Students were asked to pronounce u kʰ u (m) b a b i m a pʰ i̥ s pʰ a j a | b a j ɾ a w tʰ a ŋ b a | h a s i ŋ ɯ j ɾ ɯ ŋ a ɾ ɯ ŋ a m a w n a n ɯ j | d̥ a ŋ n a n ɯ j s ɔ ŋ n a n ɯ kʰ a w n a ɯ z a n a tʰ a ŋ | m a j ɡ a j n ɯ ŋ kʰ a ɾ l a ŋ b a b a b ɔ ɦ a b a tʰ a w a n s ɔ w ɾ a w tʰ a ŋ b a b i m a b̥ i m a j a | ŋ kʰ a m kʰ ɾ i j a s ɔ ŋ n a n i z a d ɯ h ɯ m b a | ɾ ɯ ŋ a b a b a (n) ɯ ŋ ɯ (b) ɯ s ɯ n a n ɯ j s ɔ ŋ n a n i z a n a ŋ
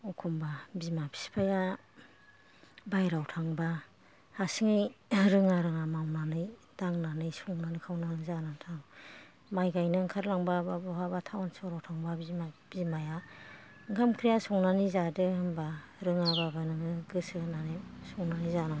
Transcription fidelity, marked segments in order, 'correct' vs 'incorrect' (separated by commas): correct, correct, incorrect